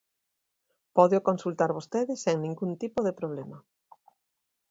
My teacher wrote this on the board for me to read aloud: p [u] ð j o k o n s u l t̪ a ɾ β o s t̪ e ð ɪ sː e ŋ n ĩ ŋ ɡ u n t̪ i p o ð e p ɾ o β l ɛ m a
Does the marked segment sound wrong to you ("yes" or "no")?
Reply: yes